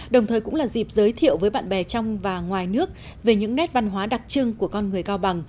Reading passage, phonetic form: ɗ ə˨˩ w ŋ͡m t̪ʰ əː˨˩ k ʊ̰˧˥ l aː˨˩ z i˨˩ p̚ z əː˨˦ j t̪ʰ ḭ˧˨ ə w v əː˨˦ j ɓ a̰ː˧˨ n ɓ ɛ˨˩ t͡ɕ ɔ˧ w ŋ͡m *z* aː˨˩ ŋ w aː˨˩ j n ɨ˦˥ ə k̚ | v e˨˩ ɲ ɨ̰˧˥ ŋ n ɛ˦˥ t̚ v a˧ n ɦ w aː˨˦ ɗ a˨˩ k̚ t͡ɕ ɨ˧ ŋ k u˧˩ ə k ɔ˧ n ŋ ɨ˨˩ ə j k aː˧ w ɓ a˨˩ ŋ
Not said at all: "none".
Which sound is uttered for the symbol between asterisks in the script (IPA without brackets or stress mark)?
v